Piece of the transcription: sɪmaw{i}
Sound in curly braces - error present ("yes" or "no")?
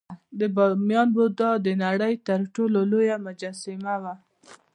yes